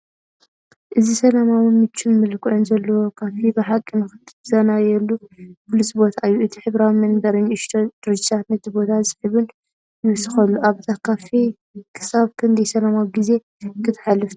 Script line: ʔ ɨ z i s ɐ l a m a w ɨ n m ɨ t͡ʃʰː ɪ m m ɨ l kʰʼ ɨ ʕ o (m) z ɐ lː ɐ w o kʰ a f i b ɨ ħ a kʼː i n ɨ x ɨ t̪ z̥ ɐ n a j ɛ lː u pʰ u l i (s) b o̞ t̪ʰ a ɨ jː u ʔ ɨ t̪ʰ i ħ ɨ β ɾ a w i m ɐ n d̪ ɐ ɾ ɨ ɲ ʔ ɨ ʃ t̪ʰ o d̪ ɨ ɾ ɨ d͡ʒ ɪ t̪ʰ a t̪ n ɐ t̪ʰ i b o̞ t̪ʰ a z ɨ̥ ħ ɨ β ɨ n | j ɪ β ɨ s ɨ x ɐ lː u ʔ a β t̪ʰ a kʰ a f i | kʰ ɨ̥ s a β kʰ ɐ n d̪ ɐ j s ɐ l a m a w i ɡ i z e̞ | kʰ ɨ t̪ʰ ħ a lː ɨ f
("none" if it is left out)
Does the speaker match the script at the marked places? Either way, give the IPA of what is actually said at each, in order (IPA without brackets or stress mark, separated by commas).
n, s